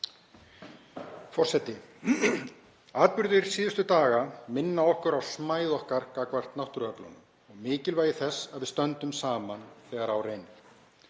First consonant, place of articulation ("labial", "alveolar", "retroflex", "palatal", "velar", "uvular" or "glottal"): labial